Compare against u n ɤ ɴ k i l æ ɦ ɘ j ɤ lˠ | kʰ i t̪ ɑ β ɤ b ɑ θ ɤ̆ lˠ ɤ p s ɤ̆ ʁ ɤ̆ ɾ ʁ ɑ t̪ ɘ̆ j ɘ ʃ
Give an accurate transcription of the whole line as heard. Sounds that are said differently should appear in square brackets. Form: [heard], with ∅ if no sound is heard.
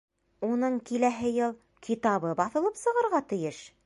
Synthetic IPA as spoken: u n ɤ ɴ k i l æ ɦ ɘ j ɤ lˠ | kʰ i t̪ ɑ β ɤ b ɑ θ ɤ̆ lˠ ɤ p s ɤ̆ ʁ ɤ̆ ɾ ʁ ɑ t̪ ɘ̆ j ɘ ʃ